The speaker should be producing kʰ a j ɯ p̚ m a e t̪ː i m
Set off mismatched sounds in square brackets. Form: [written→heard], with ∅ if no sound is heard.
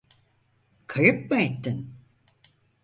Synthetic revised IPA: kʰ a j ɯ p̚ m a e t̪ː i [m→n]